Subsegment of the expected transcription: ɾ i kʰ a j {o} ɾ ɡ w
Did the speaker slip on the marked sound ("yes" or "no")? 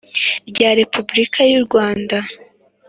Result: yes